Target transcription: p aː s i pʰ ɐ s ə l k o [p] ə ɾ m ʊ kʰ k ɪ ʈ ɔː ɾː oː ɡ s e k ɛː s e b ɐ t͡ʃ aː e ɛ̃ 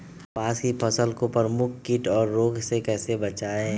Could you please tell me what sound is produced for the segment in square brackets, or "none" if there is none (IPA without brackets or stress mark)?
p